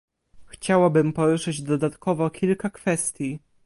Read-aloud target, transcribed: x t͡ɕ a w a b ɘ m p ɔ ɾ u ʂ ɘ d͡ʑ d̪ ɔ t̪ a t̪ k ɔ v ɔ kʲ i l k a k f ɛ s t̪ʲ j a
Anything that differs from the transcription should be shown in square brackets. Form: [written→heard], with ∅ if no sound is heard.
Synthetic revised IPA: x t͡ɕ a w a b ɘ m p ɔ ɾ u ʂ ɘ d͡ʑ d̪ ɔ [t̪→d̪] a t̪ k ɔ v ɔ kʲ i l k a k f ɛ s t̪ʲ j [a→i]